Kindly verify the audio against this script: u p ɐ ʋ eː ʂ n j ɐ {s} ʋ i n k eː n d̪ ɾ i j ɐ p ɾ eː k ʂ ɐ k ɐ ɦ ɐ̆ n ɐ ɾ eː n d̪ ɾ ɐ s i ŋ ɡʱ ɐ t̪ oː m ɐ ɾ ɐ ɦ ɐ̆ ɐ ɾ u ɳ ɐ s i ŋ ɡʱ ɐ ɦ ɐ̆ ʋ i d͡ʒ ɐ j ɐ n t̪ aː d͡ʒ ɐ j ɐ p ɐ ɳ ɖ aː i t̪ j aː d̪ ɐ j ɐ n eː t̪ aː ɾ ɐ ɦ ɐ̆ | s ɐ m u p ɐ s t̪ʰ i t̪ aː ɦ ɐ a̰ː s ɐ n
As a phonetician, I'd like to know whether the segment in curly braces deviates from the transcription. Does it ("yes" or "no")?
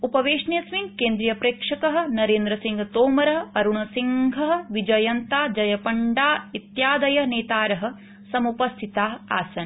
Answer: no